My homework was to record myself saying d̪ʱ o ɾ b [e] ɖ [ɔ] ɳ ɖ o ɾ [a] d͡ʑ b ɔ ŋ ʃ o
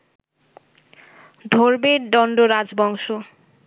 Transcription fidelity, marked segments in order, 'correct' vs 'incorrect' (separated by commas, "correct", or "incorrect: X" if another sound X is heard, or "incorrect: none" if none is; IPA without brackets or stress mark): correct, correct, correct